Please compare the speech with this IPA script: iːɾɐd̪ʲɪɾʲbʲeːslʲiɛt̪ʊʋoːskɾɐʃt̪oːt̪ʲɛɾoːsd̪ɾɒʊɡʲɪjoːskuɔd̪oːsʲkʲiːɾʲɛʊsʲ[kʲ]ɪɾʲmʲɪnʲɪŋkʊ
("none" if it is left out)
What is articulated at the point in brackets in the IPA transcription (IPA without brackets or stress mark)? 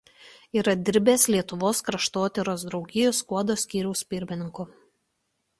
pʲ